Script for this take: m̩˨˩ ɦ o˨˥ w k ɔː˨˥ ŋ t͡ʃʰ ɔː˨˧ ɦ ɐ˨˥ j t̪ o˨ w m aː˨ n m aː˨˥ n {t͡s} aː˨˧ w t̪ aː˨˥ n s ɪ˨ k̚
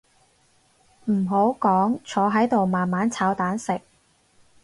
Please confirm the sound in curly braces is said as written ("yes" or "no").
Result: no